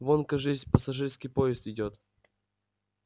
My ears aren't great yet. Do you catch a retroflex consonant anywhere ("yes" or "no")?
yes